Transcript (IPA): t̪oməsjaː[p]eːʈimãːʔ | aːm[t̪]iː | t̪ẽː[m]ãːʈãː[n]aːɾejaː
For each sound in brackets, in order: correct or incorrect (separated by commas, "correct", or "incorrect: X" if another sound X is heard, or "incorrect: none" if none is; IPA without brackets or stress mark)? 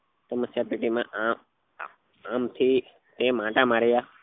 correct, incorrect: t̪ʰ, correct, incorrect: m